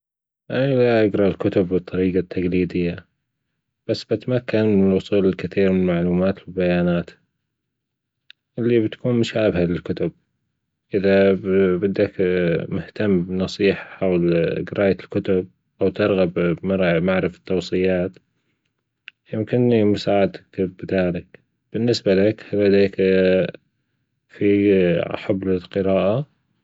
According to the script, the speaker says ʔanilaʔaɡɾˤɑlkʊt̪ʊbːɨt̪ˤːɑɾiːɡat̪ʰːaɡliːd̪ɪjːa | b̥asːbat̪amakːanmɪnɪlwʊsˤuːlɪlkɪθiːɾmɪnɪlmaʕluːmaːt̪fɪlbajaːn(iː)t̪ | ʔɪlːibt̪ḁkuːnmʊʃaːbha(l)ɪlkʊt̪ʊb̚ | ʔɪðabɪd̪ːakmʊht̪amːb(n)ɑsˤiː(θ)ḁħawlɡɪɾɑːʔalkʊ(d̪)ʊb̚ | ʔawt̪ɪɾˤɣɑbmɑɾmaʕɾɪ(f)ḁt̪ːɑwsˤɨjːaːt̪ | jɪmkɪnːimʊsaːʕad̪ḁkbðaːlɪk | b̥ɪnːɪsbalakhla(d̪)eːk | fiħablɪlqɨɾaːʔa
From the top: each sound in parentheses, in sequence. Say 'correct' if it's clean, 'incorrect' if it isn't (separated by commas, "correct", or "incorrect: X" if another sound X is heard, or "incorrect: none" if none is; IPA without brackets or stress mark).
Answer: incorrect: aː, correct, correct, incorrect: ħ, incorrect: t̪, correct, correct